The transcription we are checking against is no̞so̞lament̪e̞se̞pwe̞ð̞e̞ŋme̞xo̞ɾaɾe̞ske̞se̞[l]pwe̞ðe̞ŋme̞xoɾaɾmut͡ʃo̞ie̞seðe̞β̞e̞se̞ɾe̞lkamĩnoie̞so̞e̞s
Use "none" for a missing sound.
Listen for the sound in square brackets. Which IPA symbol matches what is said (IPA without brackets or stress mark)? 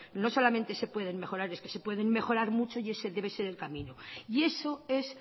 none